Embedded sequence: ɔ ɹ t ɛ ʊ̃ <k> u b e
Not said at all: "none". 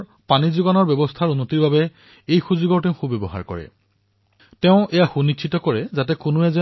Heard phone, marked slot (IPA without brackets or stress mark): x